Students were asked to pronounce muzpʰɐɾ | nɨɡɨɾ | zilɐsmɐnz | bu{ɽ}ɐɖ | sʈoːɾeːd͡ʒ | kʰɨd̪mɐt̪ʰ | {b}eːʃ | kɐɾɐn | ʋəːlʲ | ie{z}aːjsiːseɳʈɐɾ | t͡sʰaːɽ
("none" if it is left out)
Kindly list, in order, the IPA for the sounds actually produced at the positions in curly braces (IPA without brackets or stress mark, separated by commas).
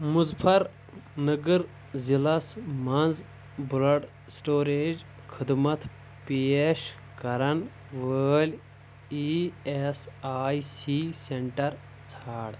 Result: l, p, s